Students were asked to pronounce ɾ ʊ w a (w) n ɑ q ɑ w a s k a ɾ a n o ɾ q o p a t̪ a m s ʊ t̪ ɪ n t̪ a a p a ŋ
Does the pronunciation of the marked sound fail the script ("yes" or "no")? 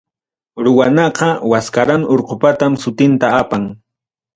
yes